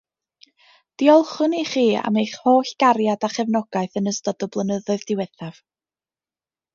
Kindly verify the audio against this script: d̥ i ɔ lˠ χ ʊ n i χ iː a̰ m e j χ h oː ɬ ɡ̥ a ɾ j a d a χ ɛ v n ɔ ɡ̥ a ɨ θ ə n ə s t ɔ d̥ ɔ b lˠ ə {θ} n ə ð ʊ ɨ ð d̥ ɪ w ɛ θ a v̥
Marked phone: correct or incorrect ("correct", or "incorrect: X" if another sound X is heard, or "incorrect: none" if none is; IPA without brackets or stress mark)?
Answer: incorrect: none